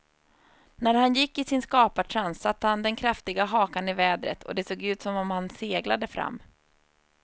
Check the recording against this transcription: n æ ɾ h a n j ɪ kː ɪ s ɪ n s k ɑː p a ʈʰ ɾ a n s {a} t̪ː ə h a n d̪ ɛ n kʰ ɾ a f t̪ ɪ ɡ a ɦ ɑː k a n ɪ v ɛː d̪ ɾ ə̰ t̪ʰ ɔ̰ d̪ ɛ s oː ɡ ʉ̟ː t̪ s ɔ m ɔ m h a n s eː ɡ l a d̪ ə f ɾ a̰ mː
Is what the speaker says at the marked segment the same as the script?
yes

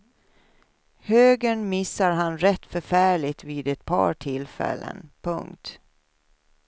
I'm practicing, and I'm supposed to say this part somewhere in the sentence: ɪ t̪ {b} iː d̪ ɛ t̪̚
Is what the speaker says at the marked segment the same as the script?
no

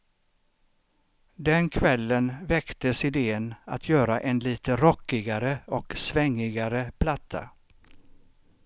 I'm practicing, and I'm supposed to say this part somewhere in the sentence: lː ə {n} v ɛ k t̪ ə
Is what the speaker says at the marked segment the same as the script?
yes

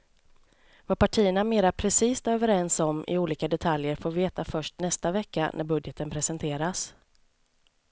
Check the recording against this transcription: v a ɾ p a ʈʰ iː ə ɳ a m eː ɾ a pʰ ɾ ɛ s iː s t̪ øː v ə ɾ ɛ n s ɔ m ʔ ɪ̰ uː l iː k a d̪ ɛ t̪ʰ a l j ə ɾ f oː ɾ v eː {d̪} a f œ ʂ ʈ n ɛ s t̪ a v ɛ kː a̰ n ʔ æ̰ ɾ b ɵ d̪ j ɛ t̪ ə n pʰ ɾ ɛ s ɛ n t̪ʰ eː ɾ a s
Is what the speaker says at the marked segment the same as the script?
no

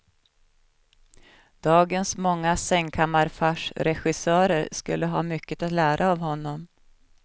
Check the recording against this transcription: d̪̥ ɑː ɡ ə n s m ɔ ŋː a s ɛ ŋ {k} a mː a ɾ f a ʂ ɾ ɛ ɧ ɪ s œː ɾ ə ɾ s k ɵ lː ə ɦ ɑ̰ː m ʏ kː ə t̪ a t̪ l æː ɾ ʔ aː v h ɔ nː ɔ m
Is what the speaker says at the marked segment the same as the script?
no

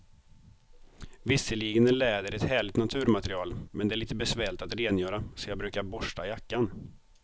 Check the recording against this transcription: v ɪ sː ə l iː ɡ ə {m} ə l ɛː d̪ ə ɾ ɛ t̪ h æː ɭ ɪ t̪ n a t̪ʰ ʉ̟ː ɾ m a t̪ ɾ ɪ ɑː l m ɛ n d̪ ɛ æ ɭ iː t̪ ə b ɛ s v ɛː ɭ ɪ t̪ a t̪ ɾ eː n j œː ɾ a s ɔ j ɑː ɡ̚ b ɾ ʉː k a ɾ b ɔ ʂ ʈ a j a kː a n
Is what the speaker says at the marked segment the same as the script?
no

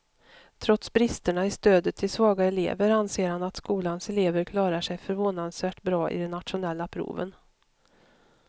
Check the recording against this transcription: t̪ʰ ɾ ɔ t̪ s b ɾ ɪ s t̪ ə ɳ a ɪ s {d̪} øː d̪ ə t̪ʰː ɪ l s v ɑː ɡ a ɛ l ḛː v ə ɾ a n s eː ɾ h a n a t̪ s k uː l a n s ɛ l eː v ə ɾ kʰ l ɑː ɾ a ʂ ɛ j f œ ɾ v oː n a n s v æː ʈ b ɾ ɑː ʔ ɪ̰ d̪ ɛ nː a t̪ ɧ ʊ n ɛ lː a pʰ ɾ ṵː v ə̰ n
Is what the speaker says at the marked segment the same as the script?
no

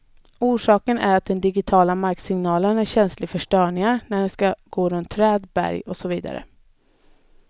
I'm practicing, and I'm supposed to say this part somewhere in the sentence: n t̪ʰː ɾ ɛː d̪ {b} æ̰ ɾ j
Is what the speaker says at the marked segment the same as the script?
yes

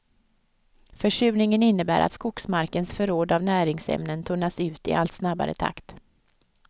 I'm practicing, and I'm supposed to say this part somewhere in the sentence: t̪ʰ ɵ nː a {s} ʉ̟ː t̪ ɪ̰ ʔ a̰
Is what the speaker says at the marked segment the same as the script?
yes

